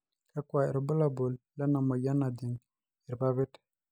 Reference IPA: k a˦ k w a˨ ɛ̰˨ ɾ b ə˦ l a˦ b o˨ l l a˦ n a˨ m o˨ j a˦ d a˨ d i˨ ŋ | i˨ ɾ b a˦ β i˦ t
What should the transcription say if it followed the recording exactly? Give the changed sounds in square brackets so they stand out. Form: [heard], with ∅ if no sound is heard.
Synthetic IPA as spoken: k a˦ k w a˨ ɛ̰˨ ɾ b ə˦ l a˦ b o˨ l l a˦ n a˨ m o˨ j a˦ [n] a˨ d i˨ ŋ | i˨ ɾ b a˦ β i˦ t